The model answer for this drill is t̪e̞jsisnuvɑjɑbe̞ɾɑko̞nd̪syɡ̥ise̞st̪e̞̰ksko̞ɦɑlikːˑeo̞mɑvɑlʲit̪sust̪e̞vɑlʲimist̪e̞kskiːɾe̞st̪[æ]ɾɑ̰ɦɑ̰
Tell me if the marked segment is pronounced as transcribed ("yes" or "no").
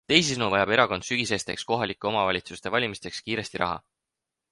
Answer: no